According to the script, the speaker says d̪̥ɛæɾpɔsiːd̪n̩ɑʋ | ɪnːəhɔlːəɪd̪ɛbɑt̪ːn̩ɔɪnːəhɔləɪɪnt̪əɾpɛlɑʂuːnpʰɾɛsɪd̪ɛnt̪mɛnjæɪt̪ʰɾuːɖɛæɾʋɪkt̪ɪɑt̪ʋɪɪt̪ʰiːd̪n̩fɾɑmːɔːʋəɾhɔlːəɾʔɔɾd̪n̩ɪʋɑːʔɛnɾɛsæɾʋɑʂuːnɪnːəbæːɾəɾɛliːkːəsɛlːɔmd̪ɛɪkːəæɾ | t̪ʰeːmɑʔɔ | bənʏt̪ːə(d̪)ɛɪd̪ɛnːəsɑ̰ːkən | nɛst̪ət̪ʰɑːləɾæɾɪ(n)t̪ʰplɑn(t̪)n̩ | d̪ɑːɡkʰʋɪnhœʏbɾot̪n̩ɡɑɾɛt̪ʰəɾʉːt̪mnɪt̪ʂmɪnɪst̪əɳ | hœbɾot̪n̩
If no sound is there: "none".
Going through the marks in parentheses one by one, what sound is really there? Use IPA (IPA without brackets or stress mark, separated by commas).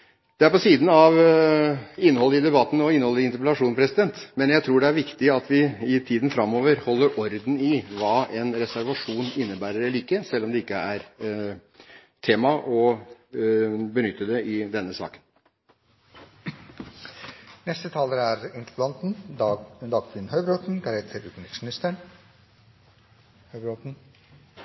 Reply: d̪, n, t̪